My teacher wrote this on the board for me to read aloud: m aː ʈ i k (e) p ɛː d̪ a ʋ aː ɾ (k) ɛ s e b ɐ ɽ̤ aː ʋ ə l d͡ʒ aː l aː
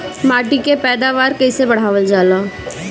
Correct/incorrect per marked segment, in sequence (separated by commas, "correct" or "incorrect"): correct, correct